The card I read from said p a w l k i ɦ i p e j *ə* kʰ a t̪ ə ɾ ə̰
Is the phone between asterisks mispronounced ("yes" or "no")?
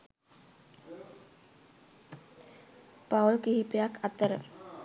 yes